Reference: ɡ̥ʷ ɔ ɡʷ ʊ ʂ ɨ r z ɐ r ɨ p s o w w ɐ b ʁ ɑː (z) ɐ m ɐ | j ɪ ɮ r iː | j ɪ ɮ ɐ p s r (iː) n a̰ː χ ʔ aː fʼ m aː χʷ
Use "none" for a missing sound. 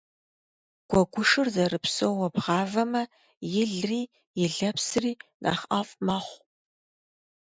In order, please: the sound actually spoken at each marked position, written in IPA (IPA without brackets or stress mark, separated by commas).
v, iː